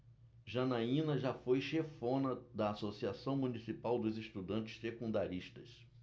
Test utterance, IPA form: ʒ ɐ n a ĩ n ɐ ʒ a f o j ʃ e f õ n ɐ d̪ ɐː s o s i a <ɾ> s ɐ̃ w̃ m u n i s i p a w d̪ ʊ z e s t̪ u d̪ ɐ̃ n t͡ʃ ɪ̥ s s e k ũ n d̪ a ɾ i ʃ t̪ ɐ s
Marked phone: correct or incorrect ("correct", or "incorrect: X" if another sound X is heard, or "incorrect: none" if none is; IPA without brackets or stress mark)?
incorrect: none